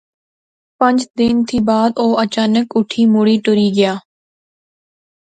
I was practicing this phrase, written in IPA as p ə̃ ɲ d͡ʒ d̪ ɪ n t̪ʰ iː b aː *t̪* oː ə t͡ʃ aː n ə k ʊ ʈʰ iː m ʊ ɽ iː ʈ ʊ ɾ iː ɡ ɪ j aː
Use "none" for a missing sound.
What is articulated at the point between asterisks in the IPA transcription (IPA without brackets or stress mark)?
d̪